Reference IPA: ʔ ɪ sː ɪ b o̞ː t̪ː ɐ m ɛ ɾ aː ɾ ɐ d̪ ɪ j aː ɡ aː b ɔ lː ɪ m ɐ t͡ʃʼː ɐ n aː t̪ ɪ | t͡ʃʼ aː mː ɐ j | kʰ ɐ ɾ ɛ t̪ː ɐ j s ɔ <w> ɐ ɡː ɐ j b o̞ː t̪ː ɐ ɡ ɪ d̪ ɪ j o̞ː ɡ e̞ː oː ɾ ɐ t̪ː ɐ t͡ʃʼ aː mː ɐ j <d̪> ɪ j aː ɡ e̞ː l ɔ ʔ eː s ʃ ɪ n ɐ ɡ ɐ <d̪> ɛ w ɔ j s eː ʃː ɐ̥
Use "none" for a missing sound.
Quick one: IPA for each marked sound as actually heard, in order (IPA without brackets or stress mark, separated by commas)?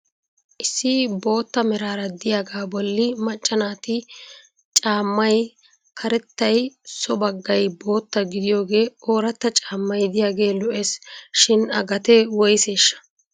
b, d̪, t̪